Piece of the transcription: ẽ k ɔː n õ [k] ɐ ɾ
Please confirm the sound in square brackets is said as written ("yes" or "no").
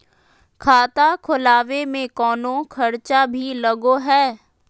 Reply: no